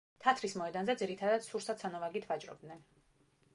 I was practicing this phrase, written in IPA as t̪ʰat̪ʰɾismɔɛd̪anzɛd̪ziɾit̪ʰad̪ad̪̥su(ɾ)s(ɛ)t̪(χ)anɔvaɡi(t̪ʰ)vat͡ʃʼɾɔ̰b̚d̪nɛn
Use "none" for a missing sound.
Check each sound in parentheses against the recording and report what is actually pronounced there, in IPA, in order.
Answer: ɾ, a, s, t̪ʰ

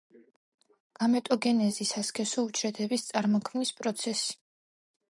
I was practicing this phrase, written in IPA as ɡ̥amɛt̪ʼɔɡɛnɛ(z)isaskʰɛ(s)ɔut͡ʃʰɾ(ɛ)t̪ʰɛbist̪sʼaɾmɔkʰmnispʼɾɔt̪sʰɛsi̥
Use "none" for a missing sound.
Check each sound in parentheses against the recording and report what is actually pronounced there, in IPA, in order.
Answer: z, s, ɛ

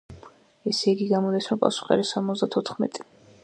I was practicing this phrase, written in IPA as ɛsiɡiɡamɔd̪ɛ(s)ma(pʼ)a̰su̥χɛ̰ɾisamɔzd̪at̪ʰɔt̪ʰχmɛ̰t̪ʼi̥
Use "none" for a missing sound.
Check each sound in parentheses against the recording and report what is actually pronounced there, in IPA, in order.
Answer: s, pʼ

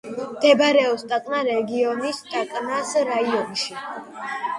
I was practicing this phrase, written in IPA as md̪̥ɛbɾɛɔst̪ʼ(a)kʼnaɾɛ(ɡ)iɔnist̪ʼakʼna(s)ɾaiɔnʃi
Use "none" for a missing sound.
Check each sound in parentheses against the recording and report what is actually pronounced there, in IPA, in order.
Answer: a, ɡ, s

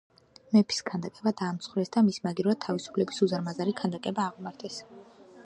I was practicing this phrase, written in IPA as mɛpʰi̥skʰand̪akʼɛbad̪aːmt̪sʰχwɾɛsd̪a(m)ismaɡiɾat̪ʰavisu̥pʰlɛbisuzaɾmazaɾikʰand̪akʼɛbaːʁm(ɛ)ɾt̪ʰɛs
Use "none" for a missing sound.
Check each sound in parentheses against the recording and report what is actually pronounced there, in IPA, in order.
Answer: m, a

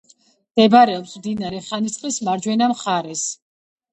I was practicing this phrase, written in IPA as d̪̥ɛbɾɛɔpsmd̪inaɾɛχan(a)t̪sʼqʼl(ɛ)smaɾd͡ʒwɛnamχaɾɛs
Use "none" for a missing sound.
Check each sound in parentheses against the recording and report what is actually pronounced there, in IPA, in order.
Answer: i, i

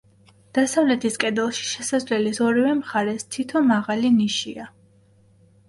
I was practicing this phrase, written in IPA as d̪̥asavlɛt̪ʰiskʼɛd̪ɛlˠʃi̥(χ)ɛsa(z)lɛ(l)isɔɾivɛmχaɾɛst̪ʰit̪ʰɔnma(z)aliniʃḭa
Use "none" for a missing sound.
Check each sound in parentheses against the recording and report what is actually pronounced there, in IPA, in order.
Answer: ʃ, z, l, ʁ

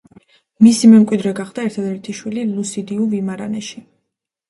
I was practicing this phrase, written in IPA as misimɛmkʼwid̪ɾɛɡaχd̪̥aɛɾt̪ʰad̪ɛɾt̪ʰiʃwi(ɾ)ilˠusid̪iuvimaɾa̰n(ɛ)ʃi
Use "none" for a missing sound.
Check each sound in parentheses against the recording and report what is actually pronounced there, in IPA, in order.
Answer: l, ɛ

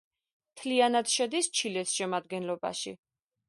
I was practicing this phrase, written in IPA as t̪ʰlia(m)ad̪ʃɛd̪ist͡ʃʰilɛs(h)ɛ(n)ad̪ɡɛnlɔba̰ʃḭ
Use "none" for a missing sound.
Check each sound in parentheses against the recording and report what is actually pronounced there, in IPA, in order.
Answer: n, ʃ, m

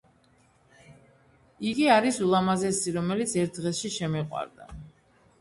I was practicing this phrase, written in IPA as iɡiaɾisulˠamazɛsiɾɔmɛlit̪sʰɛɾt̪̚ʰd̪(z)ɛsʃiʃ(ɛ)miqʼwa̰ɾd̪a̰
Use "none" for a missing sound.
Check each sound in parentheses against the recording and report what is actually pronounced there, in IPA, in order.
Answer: ʁ, ɛ

